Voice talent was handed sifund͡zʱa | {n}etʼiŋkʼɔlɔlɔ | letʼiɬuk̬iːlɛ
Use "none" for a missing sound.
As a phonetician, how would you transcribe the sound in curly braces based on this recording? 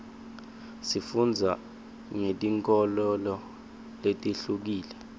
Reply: ŋ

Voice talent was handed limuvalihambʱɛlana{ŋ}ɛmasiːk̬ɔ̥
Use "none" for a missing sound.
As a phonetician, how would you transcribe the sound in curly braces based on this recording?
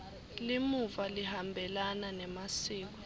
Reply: n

